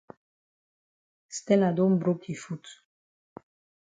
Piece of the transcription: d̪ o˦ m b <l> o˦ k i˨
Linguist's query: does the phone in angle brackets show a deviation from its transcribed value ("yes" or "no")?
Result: yes